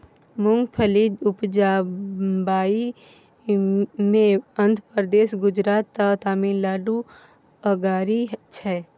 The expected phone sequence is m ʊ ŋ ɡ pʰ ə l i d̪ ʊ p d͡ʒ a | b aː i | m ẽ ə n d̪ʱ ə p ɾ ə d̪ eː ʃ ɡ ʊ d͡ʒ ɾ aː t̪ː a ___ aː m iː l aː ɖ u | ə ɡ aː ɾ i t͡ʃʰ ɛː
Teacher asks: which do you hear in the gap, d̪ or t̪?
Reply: t̪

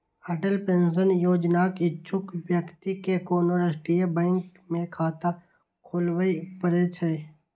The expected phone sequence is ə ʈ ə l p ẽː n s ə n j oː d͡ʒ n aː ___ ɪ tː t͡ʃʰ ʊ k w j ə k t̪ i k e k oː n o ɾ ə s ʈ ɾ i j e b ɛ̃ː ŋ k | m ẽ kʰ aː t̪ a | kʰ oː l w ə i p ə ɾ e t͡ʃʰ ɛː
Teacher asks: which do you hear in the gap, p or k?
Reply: k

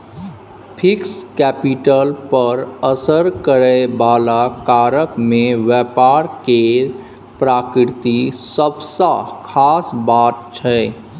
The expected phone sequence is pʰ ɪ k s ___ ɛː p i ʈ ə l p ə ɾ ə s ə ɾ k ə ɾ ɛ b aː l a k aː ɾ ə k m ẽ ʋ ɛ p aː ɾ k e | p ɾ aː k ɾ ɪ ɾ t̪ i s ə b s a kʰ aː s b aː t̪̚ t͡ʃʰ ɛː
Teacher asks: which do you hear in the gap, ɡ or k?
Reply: k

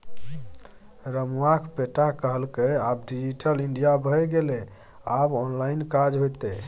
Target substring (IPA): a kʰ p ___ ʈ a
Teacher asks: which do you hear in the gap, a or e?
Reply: e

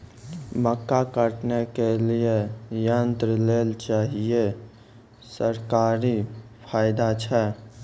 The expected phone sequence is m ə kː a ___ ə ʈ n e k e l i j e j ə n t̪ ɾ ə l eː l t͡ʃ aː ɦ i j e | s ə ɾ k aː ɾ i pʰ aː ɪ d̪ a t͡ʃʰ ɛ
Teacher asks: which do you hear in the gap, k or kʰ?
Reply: k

